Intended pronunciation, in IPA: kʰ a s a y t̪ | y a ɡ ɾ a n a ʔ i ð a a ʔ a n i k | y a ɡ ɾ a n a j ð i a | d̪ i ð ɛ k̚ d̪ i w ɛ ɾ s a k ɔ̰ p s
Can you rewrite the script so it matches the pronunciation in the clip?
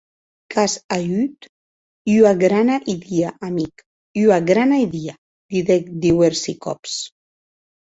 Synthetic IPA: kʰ a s a y t̪ | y a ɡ ɾ a n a ʔ i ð i a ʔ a m i k | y a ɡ ɾ a n a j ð i a | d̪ i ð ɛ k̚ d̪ i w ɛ ɾ s i k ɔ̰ p s